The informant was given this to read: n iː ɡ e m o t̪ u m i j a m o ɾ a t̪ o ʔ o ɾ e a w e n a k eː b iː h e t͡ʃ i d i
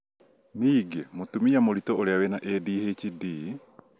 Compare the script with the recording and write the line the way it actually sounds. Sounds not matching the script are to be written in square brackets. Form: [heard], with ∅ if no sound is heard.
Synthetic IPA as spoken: n iː ɡ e m o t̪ u m i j a m o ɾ [i] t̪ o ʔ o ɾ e a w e n a [ʔ] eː [d] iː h e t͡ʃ i d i